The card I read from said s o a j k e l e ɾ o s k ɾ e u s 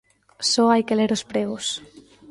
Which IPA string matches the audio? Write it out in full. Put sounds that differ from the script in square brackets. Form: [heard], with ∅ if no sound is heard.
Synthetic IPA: s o a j k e l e ɾ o s [p] ɾ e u s